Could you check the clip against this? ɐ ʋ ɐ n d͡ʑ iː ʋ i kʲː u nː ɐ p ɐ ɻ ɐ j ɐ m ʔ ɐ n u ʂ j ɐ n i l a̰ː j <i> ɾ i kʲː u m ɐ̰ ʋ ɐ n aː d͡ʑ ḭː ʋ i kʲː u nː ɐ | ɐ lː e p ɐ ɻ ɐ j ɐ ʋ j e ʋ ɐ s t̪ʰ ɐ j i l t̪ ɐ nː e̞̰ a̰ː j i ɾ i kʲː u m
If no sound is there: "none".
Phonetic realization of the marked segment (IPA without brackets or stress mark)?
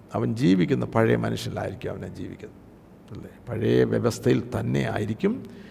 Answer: i